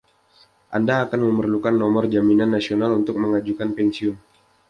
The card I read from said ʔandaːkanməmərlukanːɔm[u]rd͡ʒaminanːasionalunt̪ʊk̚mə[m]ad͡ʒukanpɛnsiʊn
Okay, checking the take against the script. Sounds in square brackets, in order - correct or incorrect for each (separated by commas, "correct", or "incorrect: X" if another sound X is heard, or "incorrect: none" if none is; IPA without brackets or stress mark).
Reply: incorrect: ɔ, incorrect: ŋ